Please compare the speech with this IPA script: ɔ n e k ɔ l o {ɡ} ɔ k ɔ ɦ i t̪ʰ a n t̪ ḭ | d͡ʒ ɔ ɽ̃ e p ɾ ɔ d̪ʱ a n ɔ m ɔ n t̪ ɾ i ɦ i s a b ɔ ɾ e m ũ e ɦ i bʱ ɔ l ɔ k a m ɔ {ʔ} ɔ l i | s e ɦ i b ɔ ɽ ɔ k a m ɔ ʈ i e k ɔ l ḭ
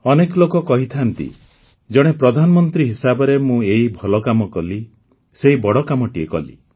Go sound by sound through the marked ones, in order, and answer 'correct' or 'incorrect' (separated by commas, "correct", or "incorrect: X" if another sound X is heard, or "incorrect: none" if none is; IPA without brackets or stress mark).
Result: incorrect: k, incorrect: k